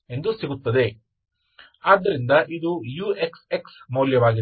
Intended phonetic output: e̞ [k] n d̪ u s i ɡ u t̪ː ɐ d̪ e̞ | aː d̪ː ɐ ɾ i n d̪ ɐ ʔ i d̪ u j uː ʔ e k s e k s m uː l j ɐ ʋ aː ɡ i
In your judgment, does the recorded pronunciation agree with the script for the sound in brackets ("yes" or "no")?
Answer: no